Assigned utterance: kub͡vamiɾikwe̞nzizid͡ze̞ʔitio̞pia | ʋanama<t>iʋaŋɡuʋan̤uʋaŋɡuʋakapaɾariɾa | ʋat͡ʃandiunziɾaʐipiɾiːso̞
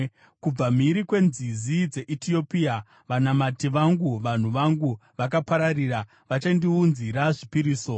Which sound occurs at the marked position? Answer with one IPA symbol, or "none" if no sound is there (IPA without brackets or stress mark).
t